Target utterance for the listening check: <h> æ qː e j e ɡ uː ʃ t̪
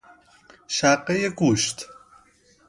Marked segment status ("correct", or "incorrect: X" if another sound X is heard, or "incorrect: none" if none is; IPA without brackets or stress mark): incorrect: ʃ